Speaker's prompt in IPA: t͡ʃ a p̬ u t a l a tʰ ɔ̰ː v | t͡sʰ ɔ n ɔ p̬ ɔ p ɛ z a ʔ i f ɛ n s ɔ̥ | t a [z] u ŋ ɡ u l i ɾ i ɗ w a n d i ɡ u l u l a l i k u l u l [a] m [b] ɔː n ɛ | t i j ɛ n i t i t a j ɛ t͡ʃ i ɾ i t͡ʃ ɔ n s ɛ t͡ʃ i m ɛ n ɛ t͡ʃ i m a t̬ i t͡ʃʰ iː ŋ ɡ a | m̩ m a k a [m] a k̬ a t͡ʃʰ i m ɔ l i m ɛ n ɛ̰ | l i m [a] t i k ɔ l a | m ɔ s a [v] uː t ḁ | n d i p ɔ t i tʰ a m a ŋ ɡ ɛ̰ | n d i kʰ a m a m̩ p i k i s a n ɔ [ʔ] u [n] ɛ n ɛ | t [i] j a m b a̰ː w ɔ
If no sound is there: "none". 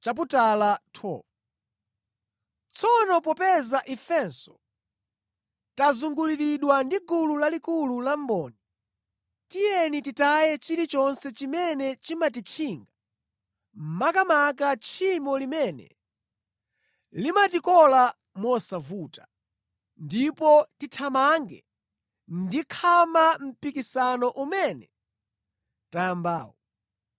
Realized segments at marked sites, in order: z, a, b, m, a, v, ʔ, m, a

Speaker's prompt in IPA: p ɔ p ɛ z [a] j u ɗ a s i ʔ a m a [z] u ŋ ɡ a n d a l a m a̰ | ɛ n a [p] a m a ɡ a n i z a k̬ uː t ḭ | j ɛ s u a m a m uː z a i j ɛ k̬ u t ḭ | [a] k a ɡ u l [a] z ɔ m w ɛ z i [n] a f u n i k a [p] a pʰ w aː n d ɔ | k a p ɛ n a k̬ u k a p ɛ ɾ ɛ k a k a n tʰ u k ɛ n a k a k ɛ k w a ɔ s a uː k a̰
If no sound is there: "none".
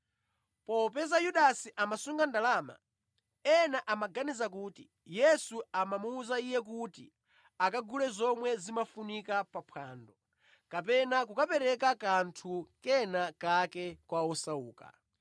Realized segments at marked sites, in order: a, s, ʔ, a, ɛ, m, p

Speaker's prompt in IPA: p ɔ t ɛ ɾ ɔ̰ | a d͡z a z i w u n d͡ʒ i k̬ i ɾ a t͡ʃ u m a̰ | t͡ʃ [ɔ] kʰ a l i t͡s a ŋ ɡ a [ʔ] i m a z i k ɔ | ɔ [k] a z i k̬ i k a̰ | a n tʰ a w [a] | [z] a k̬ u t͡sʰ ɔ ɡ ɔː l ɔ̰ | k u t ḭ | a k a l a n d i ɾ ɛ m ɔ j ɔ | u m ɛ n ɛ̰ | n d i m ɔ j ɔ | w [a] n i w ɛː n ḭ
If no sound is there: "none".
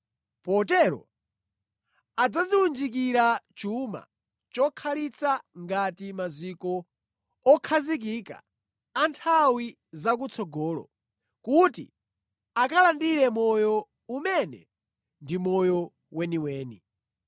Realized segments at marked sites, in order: ɔ, t, kʰ, i, z, ɛ

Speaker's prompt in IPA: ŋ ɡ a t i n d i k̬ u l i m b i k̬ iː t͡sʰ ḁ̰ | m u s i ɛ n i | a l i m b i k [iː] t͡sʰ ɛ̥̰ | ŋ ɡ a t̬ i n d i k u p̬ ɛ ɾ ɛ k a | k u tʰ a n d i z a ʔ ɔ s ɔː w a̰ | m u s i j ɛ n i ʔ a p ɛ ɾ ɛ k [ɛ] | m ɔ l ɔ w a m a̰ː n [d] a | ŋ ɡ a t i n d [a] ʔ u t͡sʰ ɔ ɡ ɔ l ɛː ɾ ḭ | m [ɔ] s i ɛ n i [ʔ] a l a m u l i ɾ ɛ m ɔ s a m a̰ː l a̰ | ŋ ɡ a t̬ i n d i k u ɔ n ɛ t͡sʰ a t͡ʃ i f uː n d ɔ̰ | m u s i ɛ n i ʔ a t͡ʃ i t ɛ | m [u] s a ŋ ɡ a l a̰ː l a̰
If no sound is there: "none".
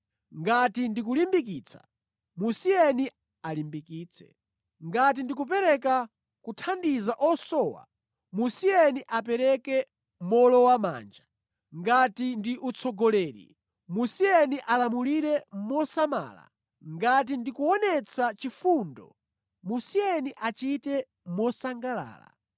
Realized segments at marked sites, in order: iː, ɛ, d͡ʒ, i, u, ʔ, ɔ

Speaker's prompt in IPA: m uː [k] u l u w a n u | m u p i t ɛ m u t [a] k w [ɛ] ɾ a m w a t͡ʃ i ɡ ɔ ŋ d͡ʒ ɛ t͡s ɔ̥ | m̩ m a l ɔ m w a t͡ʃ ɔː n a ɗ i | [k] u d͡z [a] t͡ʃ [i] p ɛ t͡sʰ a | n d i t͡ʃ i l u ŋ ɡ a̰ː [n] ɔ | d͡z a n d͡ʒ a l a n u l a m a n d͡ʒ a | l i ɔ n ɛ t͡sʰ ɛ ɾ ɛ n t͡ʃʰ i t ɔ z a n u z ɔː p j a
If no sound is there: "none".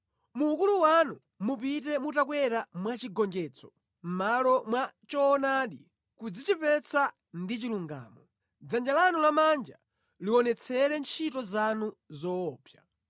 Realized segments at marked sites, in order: k, a, ɛ, k, i, i, m

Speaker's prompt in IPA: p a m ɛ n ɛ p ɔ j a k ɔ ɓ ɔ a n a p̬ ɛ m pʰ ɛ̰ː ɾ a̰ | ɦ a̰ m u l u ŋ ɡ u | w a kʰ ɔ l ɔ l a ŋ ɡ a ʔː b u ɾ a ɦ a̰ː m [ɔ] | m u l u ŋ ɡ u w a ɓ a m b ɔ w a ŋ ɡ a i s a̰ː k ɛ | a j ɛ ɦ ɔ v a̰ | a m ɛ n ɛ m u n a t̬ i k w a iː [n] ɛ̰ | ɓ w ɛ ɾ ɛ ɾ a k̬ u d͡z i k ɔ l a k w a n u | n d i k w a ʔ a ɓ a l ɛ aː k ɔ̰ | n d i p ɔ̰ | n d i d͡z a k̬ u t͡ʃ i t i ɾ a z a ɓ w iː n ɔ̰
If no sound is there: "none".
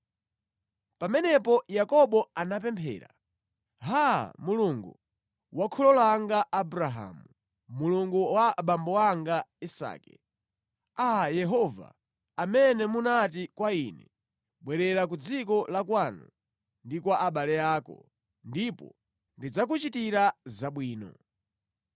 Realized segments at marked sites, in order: u, n

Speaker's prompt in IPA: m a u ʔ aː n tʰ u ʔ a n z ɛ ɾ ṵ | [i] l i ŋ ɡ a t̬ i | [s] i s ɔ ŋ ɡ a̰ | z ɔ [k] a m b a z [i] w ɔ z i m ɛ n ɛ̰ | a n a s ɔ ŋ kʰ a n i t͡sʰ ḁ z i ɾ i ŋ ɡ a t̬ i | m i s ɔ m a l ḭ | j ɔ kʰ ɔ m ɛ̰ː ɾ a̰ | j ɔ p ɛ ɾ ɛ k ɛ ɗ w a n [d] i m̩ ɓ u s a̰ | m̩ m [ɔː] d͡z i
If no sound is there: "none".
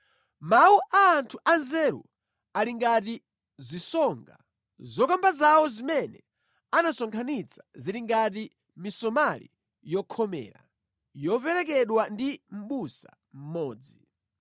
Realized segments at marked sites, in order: a, z, k, a, d, ɔː

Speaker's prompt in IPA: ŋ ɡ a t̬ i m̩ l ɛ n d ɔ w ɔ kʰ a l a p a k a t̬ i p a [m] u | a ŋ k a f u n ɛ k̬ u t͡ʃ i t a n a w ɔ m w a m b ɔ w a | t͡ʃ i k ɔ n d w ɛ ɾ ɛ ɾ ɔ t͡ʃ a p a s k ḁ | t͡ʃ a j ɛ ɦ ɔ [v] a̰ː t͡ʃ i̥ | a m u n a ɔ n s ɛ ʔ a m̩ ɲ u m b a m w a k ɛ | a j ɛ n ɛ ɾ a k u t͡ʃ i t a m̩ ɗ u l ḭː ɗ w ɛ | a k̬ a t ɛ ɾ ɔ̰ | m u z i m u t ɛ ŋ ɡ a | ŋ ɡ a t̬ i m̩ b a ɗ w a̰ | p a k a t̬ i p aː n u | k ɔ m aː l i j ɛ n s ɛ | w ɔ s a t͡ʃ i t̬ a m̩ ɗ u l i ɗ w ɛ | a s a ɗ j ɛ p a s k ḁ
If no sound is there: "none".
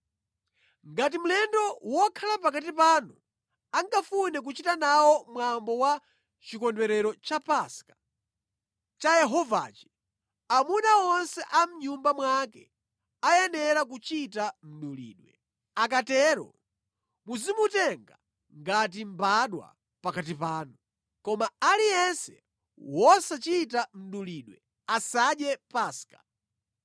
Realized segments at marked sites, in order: n, v

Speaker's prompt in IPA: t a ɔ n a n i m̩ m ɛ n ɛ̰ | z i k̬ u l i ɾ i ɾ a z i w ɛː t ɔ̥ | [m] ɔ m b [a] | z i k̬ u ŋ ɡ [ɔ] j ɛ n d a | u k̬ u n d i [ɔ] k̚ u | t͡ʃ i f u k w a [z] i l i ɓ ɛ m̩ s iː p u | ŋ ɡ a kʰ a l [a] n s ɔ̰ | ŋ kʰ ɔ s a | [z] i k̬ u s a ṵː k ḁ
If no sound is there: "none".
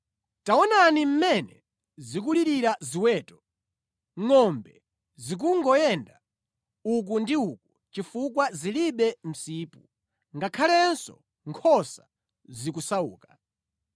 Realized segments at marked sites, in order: ŋ, ɛ, ɔ, u, z, ɛ, z

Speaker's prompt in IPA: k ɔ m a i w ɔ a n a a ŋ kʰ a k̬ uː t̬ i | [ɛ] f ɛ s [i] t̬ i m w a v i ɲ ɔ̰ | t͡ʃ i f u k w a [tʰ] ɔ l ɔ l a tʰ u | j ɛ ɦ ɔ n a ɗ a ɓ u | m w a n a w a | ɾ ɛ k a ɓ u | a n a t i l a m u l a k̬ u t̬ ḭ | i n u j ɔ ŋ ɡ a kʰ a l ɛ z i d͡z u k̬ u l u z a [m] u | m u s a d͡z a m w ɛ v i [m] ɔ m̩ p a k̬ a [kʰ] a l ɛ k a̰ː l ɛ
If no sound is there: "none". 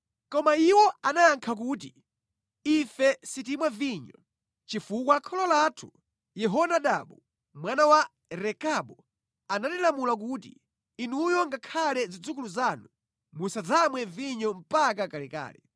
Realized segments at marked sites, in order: i, i, kʰ, n, ɲ, k

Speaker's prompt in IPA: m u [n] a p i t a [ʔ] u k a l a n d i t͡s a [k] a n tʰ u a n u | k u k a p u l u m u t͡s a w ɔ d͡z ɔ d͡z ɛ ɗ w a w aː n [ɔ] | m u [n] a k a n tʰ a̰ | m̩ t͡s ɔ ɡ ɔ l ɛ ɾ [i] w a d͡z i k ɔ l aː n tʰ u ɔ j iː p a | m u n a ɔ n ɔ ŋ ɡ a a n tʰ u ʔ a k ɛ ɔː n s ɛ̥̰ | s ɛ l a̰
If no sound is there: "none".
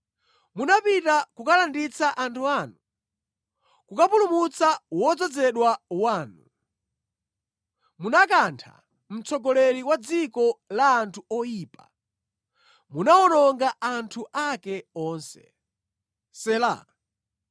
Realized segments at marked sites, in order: n, k, ʔ, u, n, i

